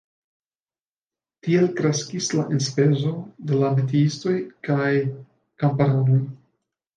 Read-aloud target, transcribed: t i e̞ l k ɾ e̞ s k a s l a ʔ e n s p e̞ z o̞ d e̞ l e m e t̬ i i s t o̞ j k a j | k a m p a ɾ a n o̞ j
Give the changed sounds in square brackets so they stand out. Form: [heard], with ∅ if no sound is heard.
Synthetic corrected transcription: t i e̞ l k ɾ e̞ s k [i] s l a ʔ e n s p e̞ z o̞ d e̞ l [a] m e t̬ i i s t o̞ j k a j | k a m p a ɾ a n o̞ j

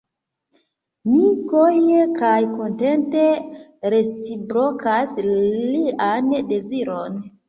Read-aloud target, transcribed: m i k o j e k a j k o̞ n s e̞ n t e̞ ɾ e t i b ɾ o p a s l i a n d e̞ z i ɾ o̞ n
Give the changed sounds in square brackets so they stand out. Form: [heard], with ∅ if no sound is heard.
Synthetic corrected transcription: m i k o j e k a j k o̞ n [t] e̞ n t e̞ ɾ e [t͡s] i b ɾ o [k] a s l i a n d e̞ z i ɾ o̞ n

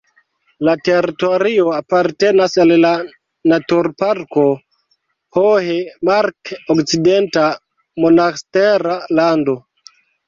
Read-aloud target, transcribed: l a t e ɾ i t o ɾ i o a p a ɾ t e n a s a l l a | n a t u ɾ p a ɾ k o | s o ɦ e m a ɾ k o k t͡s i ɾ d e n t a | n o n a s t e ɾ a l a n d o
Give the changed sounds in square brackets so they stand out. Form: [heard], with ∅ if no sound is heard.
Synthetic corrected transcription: l a t e ɾ i t o ɾ i o a p a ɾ t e n a s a l l a | n a t u ɾ p a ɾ k o | [h] o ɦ e m a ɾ k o k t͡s i [∅] d e n t a | [m] o n a s t e ɾ a l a n d o

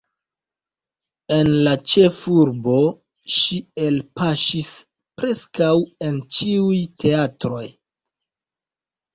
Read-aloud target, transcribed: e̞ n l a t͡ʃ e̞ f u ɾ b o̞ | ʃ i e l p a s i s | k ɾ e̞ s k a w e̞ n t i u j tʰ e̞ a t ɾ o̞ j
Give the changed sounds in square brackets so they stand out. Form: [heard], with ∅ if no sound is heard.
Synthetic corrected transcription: e̞ n l a t͡ʃ e̞ f u ɾ b o̞ | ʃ i e l p a [ʃ] i s | [p] ɾ e̞ s k a w e̞ n [t͡ʃ] i u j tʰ e̞ a t ɾ o̞ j

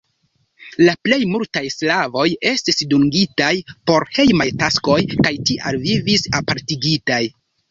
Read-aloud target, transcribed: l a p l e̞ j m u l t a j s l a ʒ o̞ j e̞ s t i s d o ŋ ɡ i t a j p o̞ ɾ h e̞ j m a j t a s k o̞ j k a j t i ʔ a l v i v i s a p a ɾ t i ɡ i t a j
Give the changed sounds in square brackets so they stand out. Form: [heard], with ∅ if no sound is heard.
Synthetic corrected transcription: l a p l e̞ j m u l t a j s l a [v] o̞ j e̞ s t i s d [u] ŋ ɡ i t a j p o̞ ɾ h e̞ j m a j t a s k o̞ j k a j t i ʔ a l v i v i s a p a ɾ t i ɡ i t a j

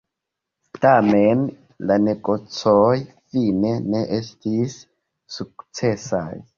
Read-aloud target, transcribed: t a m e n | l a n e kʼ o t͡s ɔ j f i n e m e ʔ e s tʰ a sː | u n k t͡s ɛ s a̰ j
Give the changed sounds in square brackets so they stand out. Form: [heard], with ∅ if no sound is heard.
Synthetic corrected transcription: t a m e n | l a n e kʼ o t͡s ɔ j f i n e [n] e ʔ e s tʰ [i] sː | u [∅] k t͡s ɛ s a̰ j

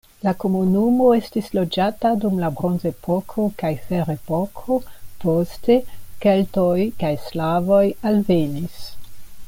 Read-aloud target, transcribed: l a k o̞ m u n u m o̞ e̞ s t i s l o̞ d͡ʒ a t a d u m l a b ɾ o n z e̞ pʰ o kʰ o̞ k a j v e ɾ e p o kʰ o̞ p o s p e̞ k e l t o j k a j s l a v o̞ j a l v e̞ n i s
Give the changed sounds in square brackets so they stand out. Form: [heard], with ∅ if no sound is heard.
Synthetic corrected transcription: l a k o̞ m u n u m o̞ e̞ s t i s l o̞ d͡ʒ a t a d u m l a b ɾ o n z e̞ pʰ o kʰ o̞ k a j [f] e ɾ e p o kʰ o̞ p o s [t] e̞ k e l t o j k a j s l a v o̞ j a l v e̞ n i s

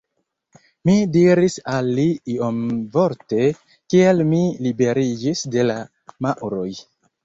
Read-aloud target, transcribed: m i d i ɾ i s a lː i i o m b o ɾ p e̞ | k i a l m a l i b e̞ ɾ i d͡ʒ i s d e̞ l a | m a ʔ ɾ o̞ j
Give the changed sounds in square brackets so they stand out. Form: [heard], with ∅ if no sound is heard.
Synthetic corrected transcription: m i d i ɾ i s a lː i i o m [v] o ɾ [t] e̞ | k i a l m [i] l i b e̞ ɾ i d͡ʒ i s d e̞ l a | m a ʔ ɾ o̞ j

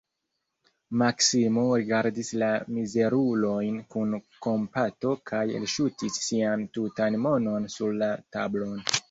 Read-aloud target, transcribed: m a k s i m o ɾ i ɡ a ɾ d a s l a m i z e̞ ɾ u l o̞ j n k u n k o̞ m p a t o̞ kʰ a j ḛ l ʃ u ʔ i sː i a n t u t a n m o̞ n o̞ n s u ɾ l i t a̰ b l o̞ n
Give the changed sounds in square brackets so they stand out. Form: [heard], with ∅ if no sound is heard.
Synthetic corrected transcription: m a k s i m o ɾ i ɡ a ɾ d [i] s l a m i z e̞ ɾ u l o̞ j n k u n k o̞ m p a t o̞ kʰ a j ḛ l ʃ u [t] i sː i a n t u t a n m o̞ n o̞ n s u ɾ l [a] t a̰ b l o̞ n

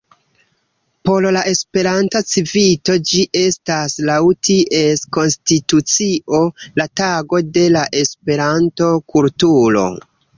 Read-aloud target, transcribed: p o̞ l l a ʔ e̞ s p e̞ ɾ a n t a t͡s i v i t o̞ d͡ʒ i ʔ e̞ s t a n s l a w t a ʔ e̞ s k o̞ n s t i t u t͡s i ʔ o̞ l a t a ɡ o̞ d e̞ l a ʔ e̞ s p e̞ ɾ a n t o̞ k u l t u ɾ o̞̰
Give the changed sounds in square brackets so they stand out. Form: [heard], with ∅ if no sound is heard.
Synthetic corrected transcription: p o̞ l l a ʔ e̞ s p e̞ ɾ a n t a t͡s i v i t o̞ d͡ʒ i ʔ e̞ s t a [∅] s l a w t [i] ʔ e̞ s k o̞ n s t i t u t͡s i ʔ o̞ l a t a ɡ o̞ d e̞ l a ʔ e̞ s p e̞ ɾ a n t o̞ k u l t u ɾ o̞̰

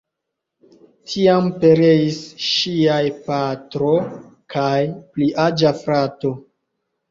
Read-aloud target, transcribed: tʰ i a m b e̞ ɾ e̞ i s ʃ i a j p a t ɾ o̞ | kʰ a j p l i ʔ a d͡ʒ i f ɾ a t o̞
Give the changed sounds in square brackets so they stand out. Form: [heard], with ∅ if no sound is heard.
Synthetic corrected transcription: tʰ i a m [p] e̞ ɾ e̞ i s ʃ i a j p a t ɾ o̞ | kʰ a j p l i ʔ a d͡ʒ [a] f ɾ a t o̞

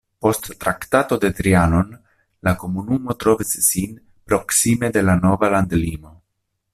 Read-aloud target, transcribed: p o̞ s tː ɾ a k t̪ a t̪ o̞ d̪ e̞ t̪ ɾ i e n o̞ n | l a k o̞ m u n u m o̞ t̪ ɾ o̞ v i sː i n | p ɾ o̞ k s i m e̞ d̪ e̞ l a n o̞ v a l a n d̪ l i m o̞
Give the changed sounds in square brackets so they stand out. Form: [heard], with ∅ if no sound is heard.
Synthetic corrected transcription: p o̞ s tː ɾ a k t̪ a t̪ o̞ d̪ e̞ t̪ ɾ i [a] n o̞ n | l a k o̞ m u n u m o̞ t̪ ɾ o̞ v i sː i n | p ɾ o̞ k s i m e̞ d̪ e̞ l a n o̞ v a l a n d̪ l i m o̞

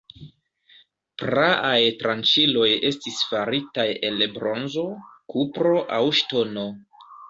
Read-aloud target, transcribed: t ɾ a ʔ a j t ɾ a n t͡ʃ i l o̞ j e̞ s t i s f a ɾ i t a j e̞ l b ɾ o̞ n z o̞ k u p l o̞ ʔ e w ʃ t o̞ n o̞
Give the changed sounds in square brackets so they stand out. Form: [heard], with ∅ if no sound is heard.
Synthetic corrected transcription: [p] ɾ a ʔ a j t ɾ a n t͡ʃ i l o̞ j e̞ s t i s f a ɾ i t a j e̞ l b ɾ o̞ n z o̞ k u p [ɾ] o̞ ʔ [a] w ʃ t o̞ n o̞

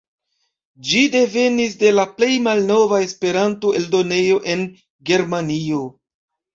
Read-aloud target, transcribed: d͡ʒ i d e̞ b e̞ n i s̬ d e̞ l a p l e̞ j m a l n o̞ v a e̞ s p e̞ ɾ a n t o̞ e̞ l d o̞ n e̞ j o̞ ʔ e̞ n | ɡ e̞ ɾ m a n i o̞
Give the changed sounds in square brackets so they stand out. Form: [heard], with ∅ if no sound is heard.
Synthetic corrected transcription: d͡ʒ i d e̞ [v] e̞ n i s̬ d e̞ l a p l e̞ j m a l n o̞ v a e̞ s p e̞ ɾ a n t o̞ e̞ l d o̞ n e̞ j o̞ ʔ e̞ n | ɡ e̞ ɾ m a n i o̞

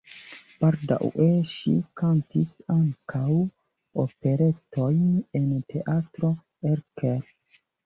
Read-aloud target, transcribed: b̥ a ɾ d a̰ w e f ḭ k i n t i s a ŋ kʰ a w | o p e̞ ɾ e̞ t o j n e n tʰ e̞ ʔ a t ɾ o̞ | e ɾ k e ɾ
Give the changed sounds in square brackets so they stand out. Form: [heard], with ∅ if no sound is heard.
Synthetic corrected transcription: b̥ a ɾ d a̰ w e [ʃ] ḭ k [a] n t i s a ŋ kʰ a w | o p e̞ ɾ e̞ t o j n e n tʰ e̞ ʔ a t ɾ o̞ | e ɾ k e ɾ

